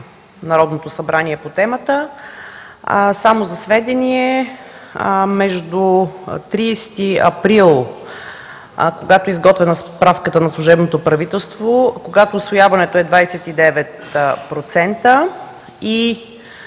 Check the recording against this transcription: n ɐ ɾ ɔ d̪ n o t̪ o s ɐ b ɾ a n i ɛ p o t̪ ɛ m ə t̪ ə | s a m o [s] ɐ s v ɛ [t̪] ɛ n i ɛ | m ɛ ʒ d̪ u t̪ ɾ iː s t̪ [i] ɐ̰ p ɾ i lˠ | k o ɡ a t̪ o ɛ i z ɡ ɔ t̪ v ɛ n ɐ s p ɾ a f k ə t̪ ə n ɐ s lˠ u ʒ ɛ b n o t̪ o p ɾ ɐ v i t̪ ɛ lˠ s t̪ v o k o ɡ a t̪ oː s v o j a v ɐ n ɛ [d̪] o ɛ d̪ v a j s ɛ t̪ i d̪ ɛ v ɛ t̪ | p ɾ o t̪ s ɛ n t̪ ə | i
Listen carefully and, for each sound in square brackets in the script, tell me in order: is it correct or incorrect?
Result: incorrect, incorrect, correct, incorrect

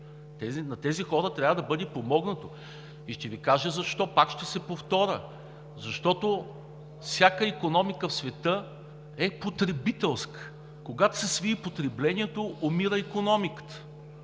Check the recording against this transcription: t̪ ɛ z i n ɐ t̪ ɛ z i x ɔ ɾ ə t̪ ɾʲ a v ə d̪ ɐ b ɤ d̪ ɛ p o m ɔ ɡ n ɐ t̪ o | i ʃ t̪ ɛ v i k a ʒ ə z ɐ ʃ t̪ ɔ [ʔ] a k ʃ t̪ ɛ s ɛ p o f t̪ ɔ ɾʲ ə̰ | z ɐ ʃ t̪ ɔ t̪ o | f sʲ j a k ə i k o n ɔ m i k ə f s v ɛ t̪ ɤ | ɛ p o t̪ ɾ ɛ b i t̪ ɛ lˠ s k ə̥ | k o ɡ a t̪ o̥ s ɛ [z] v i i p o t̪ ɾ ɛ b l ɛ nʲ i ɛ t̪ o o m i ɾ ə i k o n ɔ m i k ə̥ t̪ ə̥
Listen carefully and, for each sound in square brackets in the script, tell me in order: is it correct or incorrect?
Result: incorrect, incorrect

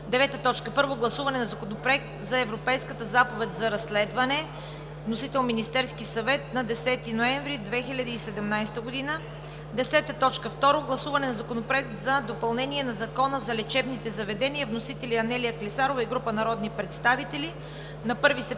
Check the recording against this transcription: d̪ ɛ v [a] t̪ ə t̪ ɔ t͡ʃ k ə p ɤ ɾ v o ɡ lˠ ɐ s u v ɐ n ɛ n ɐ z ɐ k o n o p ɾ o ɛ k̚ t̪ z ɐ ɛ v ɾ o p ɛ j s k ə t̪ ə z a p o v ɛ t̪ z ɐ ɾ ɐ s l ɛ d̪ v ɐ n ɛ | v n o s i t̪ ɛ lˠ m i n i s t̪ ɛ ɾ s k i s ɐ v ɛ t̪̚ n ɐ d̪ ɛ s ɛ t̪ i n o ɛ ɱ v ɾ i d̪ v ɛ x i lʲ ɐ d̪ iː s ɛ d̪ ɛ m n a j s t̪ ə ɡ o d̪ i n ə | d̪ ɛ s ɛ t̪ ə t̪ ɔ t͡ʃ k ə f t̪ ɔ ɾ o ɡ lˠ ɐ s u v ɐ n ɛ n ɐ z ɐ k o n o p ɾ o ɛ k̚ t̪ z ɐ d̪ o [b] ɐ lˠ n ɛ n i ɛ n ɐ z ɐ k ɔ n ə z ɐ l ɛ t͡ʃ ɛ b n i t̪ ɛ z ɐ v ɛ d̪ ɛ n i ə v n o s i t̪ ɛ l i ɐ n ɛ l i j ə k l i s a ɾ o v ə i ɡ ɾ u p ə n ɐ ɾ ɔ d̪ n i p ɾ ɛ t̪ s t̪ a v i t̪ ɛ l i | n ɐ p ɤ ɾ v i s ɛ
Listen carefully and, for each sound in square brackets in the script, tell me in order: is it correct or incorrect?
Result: incorrect, incorrect

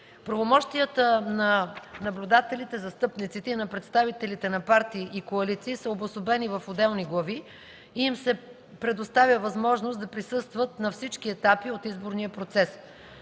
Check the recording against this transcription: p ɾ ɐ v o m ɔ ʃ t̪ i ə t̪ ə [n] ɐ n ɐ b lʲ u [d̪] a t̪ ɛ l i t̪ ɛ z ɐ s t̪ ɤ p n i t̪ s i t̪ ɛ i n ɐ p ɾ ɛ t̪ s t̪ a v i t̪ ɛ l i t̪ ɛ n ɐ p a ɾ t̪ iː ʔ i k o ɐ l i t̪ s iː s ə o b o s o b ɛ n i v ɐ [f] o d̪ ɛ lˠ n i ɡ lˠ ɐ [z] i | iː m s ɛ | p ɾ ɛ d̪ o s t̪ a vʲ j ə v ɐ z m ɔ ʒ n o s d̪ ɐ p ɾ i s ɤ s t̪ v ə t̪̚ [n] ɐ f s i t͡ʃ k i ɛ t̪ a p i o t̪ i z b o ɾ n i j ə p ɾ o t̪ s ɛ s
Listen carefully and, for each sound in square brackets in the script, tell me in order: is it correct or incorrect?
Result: correct, correct, correct, incorrect, correct

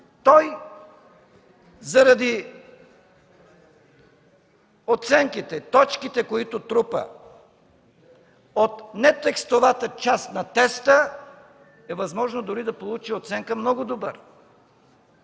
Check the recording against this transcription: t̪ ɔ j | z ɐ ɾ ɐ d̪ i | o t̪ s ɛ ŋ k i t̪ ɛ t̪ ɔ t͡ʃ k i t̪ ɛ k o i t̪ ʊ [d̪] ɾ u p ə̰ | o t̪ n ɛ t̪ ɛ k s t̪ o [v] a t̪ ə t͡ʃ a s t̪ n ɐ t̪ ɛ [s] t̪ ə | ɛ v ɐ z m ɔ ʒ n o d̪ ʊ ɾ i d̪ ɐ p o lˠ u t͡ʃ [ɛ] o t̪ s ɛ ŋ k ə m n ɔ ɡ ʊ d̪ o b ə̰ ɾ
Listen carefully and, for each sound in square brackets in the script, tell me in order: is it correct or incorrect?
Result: incorrect, correct, correct, incorrect

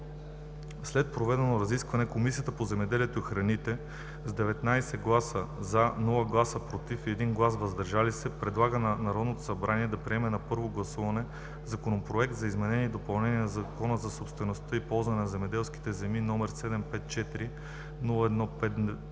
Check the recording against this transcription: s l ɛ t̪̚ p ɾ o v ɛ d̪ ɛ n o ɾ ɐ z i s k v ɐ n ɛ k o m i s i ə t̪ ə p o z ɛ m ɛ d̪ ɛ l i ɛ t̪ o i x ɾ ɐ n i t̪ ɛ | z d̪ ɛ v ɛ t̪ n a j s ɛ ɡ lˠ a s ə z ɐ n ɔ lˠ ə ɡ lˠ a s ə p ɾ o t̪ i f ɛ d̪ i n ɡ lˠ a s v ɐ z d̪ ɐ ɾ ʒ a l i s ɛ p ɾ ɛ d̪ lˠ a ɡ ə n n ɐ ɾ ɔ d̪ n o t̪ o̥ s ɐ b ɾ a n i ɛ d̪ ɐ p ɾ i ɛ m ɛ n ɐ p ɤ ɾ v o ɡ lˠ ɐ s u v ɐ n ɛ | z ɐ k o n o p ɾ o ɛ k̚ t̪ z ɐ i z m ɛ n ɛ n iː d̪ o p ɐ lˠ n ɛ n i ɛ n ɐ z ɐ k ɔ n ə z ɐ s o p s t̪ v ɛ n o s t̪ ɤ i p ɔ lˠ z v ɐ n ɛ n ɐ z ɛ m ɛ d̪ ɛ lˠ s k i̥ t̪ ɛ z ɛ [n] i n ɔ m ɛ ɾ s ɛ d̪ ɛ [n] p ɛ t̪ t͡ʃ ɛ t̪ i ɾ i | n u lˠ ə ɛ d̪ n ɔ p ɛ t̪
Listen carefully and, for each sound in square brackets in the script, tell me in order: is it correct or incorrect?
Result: incorrect, incorrect

